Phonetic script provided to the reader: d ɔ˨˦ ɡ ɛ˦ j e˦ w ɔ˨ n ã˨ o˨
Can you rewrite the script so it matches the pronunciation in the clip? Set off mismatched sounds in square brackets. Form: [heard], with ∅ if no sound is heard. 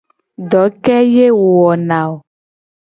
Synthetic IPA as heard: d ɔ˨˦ [k] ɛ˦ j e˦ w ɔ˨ n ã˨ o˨

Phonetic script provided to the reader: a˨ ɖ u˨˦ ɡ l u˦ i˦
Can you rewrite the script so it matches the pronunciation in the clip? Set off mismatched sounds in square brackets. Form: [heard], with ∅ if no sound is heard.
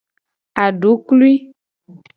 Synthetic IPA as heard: a˨ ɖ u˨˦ [k] l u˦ i˦

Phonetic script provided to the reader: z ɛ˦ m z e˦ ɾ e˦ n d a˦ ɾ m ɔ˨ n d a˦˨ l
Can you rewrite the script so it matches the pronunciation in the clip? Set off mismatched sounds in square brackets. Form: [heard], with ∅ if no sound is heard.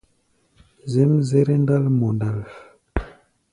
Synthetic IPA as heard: z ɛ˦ m z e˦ ɾ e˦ n d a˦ [l] m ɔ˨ n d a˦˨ l

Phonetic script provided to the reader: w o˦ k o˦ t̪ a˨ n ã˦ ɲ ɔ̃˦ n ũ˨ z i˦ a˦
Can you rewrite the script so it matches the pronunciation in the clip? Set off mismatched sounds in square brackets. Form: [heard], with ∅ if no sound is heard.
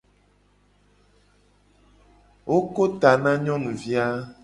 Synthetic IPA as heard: w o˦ k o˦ t̪ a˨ n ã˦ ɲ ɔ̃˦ n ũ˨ [v] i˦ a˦

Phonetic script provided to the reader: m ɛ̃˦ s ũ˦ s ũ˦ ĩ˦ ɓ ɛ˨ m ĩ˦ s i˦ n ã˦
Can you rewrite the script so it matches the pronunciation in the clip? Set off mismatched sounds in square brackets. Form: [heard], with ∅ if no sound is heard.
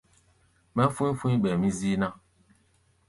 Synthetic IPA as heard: m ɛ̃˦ [f] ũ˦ [f] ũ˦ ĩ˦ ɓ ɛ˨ m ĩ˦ [z] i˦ n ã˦

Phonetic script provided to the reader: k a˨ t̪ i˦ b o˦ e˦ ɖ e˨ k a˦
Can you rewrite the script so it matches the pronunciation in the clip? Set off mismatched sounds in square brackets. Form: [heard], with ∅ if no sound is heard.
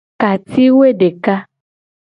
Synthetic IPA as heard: k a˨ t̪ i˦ [w] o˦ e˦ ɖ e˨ k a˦

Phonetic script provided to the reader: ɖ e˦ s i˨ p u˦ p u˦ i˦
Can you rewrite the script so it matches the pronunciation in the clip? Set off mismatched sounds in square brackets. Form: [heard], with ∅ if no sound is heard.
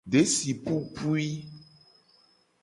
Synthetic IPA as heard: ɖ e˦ s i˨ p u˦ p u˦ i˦

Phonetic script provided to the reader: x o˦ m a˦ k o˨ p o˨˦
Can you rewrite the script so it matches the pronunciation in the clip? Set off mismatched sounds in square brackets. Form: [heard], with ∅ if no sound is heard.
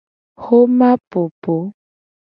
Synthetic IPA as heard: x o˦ m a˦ [p] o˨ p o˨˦

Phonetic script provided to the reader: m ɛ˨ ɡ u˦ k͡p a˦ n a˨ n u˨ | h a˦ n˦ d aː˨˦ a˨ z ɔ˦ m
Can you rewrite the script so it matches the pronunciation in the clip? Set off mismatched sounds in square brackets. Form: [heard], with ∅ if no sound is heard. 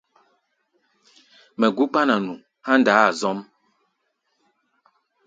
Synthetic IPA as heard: m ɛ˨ ɡ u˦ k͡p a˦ n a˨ n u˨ | h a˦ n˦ d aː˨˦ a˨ z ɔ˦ m

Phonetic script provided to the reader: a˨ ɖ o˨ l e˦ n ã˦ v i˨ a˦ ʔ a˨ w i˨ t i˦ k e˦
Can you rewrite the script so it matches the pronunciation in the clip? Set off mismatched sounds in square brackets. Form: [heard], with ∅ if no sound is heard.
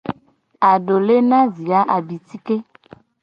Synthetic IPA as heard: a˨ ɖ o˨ l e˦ n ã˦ [z] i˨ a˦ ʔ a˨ [b] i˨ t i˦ k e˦

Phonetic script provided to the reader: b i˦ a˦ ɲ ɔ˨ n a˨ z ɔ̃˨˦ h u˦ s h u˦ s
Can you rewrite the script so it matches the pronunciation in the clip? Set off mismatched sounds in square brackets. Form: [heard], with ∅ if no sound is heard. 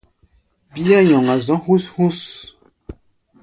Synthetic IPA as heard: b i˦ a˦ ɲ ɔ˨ [ŋ] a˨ z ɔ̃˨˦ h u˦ s h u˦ s

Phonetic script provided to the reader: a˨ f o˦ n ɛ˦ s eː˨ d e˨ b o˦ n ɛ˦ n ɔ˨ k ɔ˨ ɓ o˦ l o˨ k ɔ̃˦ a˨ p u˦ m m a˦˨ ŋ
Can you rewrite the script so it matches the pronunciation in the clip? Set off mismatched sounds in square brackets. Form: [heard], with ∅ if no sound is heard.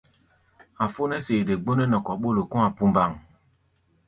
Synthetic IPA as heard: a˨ f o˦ n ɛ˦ s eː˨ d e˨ [ɡ͡b] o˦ n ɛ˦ n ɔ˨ k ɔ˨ ɓ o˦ l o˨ k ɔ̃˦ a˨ p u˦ m [b] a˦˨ ŋ

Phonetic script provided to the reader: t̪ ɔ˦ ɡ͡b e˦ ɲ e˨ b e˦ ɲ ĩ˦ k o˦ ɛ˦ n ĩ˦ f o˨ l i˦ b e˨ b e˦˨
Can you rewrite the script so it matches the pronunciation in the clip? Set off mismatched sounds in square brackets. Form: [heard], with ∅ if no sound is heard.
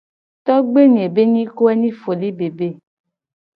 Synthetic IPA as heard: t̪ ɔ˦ ɡ͡b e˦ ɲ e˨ b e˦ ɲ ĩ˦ k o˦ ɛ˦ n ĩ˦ f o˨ l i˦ b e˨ b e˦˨

